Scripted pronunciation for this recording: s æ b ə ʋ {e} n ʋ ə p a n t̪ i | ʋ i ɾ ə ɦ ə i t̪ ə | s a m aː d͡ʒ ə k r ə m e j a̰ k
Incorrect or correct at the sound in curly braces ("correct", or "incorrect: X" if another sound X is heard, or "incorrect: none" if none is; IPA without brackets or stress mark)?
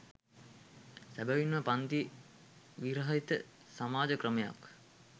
incorrect: i